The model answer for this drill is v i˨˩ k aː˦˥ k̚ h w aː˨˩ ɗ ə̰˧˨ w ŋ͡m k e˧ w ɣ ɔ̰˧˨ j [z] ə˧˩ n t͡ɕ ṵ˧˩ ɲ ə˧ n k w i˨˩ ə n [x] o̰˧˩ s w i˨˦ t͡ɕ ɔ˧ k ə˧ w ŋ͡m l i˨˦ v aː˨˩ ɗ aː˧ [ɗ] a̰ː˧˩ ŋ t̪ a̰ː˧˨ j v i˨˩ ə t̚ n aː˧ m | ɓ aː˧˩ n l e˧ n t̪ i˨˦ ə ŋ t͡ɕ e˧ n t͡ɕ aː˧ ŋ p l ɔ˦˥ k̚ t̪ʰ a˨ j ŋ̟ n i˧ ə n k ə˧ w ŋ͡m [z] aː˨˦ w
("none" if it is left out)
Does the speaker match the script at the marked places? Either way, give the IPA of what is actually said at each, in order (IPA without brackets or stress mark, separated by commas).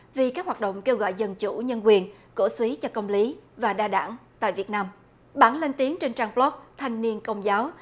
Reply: z, k, ɗ, z